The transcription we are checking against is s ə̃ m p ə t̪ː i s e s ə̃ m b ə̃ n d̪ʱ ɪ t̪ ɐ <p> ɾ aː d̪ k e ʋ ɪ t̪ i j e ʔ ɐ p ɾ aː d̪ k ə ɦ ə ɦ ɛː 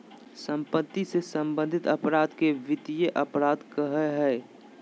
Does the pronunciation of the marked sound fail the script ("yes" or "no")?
no